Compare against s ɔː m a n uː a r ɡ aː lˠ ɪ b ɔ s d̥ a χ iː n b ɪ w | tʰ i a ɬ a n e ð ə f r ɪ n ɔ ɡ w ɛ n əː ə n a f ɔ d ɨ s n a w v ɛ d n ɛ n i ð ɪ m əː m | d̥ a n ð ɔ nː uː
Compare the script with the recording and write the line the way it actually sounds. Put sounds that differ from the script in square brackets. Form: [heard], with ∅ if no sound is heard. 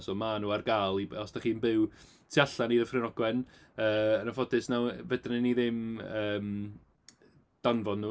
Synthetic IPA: s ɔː m a n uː a r ɡ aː lˠ [i] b ɔ s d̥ a χ iː n b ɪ w | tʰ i a ɬ a n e ð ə f r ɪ n ɔ ɡ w ɛ n əː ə n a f ɔ d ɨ s n a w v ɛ d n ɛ n i ð ɪ m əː m | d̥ a n [v] ɔ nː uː